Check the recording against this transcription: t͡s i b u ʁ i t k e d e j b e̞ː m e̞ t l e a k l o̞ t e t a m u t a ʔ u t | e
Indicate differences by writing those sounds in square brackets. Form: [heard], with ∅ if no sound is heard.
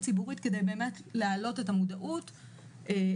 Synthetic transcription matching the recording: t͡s i b u ʁ i t k e d e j b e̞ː m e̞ t l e a [∅] l o̞ t e t a m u [d] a ʔ u t | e